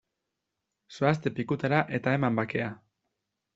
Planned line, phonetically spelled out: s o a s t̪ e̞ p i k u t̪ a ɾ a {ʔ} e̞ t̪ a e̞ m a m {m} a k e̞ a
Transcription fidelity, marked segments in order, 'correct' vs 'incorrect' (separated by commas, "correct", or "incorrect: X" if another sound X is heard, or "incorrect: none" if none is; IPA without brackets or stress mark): correct, incorrect: b